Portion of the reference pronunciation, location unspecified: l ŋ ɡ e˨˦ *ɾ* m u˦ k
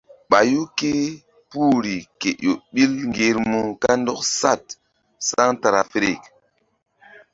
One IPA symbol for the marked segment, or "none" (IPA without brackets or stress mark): ɾ